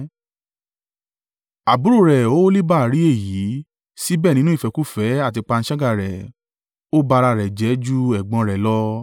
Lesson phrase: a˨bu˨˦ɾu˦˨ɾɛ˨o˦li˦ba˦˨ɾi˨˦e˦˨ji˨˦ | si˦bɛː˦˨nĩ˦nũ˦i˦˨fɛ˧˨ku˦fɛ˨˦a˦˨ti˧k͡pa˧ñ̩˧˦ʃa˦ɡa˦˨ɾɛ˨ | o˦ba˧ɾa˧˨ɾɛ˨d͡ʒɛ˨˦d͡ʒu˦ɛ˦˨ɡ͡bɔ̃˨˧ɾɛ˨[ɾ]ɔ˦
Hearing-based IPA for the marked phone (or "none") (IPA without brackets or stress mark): l